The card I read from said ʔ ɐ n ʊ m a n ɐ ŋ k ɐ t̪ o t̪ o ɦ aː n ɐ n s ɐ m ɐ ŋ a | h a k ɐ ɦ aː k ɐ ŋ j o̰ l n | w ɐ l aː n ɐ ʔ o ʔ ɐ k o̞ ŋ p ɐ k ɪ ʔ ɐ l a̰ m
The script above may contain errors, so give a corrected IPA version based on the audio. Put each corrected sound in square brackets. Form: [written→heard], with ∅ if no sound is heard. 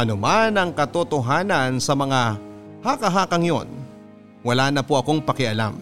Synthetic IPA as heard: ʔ ɐ n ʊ m a n ɐ ŋ k ɐ t̪ o t̪ o ɦ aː n ɐ n s ɐ m ɐ ŋ a | h a k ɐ ɦ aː k ɐ ŋ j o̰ [l→∅] n | w ɐ l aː n ɐ [ʔ→p] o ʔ ɐ k o̞ ŋ p ɐ k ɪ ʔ ɐ l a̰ m